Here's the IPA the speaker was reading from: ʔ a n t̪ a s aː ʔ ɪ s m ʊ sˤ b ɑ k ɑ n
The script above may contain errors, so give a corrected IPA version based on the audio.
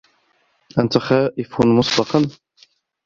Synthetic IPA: ʔ a n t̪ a x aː ʔ ɪ f m ʊ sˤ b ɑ q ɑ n

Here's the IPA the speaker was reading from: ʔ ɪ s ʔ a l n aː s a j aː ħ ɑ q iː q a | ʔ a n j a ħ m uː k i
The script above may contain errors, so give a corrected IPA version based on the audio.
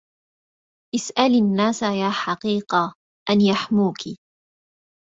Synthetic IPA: ʔ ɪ s ʔ a l nː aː s a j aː ħ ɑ q iː q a | ʔ a n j a ħ m uː k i

